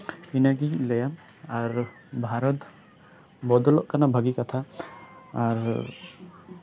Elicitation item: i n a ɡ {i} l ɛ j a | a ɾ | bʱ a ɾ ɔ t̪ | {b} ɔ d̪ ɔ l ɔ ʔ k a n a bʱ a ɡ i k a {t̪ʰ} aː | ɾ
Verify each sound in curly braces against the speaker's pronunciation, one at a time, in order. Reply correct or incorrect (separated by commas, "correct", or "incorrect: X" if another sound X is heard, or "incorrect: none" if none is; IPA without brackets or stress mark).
correct, correct, correct